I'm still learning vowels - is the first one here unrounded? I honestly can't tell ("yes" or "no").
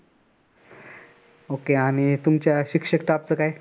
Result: no